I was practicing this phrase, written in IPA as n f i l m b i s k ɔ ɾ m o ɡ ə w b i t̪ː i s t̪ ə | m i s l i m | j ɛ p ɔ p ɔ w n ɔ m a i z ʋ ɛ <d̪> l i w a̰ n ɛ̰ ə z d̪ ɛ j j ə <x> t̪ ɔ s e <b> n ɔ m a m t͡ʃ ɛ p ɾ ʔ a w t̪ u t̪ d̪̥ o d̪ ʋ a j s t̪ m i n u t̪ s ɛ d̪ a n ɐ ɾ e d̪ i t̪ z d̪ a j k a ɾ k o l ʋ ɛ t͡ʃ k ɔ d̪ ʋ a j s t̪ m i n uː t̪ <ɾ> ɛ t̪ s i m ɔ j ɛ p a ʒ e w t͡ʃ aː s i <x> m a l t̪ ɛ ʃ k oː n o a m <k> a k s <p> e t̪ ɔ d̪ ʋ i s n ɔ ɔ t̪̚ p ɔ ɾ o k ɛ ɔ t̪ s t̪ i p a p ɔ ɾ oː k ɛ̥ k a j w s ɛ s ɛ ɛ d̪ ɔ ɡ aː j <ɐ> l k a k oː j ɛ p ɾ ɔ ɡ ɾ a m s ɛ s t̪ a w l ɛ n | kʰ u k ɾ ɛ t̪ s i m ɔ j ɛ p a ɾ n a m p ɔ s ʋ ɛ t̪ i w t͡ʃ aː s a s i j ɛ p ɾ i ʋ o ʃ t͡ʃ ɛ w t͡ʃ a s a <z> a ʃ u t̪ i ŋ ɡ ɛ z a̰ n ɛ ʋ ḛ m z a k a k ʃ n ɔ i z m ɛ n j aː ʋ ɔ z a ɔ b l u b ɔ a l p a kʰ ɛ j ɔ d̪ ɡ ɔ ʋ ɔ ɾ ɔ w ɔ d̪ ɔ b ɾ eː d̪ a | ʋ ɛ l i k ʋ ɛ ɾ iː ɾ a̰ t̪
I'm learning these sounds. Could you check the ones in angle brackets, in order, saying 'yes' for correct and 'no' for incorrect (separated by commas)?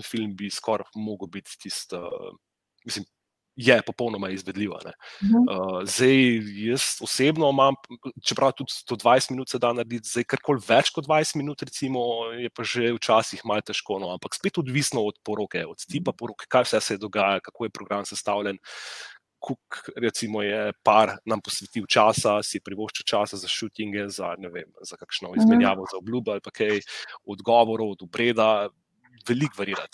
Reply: yes, no, yes, yes, yes, no, yes, no, yes